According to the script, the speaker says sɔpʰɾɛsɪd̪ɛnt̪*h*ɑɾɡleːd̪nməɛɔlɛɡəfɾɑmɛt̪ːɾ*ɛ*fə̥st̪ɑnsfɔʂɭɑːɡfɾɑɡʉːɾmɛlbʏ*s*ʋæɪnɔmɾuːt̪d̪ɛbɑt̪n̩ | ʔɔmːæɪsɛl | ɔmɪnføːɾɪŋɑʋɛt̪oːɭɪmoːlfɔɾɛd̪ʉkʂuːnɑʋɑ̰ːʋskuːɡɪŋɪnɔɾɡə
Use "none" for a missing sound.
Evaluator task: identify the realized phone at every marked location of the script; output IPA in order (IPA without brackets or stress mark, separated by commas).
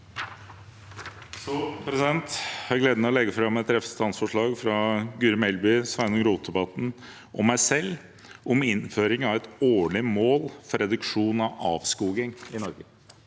h, ɛ, s